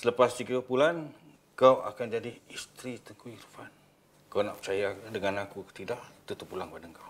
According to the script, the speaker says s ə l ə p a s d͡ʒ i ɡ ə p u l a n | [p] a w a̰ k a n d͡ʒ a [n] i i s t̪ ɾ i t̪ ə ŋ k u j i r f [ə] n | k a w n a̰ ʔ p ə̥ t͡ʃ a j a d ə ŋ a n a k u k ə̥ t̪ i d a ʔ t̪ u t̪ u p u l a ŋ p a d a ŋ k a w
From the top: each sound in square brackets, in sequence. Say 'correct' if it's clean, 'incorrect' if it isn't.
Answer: incorrect: k, incorrect: d, incorrect: a

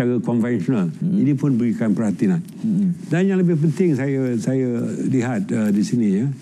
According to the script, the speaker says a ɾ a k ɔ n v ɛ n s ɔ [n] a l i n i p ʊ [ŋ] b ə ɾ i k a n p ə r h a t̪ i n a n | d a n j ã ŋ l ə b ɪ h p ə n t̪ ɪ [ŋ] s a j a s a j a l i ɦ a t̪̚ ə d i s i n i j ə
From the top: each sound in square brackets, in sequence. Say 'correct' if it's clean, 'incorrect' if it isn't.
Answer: correct, incorrect: n, correct

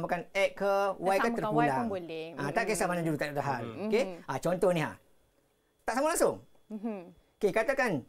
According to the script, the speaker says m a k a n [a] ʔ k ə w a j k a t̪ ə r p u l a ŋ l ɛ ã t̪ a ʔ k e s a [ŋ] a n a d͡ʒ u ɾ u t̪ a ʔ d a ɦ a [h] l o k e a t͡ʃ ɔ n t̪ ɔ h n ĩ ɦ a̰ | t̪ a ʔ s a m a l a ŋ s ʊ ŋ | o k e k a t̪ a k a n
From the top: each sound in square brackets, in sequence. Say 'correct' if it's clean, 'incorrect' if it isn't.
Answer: incorrect: ɛ, incorrect: m, incorrect: none

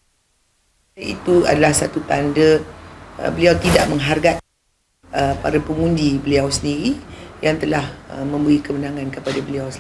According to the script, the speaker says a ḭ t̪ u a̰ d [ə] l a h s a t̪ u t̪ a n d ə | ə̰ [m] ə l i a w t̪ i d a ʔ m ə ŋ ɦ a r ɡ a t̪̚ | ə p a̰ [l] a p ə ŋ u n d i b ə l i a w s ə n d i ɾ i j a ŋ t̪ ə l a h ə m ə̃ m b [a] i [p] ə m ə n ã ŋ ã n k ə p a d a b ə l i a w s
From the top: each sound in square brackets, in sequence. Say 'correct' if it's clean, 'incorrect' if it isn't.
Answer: incorrect: a, incorrect: b, incorrect: ɾ, incorrect: ə, incorrect: k

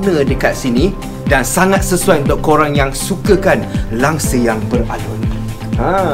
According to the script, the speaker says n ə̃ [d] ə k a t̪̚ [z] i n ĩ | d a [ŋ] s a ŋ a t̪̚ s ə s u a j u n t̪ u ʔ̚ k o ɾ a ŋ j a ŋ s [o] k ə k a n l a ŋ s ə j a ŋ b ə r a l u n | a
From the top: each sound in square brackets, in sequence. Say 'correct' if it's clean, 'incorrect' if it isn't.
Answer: correct, incorrect: s, incorrect: n, incorrect: u

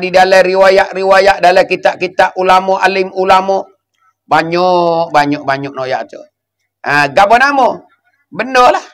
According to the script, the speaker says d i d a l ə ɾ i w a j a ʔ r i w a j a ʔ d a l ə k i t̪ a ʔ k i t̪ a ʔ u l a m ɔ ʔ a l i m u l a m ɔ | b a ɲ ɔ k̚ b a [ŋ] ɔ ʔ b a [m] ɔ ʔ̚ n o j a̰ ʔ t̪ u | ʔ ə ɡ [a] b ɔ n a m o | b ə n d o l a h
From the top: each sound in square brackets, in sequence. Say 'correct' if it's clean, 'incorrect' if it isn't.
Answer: incorrect: ɲ, incorrect: ɲ, correct

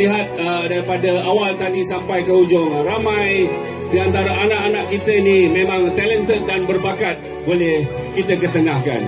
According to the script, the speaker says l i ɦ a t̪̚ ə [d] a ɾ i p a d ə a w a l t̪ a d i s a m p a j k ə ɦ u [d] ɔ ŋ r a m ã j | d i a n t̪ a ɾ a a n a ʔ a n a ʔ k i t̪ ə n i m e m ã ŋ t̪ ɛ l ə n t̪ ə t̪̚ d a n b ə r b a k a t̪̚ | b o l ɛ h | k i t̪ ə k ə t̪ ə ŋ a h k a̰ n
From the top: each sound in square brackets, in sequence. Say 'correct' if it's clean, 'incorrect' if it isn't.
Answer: correct, incorrect: d͡ʒ

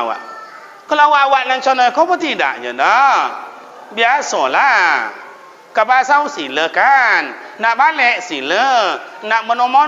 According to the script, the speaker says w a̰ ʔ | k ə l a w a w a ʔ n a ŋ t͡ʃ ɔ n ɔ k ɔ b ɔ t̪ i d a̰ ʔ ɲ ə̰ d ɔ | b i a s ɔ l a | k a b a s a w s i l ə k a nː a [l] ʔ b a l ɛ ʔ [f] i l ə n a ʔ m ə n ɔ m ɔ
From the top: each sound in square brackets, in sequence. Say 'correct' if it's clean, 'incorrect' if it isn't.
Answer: incorrect: none, incorrect: s

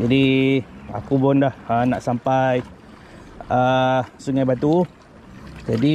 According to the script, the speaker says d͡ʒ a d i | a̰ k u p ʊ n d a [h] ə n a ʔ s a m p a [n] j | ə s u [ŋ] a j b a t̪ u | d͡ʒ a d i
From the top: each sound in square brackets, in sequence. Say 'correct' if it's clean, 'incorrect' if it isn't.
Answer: correct, incorrect: none, correct

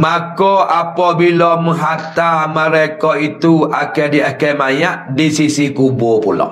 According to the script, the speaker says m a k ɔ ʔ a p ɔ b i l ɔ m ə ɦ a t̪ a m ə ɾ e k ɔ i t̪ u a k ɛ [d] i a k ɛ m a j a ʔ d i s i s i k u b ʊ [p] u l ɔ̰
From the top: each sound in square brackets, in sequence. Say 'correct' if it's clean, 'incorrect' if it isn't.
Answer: correct, correct

